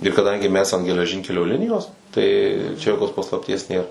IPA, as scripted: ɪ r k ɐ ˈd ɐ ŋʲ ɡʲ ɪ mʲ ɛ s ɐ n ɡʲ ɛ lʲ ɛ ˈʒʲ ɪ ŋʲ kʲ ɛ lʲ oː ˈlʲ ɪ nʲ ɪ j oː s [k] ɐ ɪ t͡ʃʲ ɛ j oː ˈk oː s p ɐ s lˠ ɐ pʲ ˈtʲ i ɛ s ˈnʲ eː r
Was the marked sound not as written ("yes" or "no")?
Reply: yes